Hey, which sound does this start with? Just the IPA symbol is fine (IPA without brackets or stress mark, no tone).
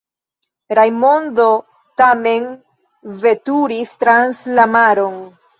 ɾ